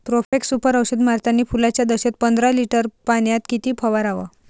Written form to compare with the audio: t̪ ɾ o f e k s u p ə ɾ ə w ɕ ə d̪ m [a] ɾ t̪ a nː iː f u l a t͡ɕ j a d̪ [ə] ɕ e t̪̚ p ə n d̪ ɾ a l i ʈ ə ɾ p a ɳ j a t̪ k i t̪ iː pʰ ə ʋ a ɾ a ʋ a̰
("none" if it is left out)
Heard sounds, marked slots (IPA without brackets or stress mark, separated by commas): a, ə